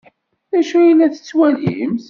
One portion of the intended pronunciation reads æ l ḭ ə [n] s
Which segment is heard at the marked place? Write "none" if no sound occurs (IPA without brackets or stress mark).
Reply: m